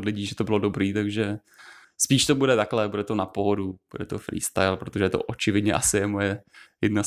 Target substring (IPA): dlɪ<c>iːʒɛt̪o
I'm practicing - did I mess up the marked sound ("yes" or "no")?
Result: yes